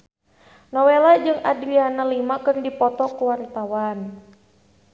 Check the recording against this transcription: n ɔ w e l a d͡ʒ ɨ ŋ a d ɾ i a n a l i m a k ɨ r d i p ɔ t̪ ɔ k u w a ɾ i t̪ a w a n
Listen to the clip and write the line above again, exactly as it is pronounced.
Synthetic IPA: n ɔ w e l a d͡ʒ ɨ ŋ a d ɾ i a n a l i m a k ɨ r d i p ɔ t̪ ɔ k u w a ɾ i t̪ a w a n